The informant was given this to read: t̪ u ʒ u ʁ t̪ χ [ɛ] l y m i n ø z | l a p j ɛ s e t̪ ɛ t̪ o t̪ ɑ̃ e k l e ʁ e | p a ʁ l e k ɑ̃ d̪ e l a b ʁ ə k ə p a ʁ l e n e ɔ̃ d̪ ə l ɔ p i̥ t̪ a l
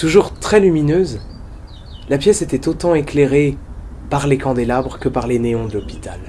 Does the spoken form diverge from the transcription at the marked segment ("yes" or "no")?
no